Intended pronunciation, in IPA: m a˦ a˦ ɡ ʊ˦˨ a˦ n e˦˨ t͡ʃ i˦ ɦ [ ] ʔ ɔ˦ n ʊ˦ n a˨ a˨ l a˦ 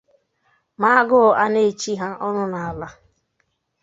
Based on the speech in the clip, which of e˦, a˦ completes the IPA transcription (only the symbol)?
a˦